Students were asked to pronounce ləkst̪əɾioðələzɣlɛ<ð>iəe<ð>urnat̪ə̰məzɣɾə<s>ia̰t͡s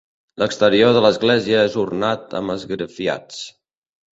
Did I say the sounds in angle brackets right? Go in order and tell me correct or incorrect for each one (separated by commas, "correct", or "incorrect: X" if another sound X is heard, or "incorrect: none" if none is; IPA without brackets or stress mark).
incorrect: z, incorrect: z, incorrect: f